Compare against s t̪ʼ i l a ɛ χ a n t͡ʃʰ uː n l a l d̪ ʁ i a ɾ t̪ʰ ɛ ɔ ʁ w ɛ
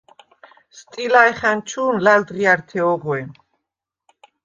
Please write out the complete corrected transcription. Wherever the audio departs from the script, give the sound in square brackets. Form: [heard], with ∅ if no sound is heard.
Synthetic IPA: s t̪ʼ i l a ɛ χ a n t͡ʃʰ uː n l a l d̪ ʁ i a ɾ t̪ʰ ɛ ɔ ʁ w ɛ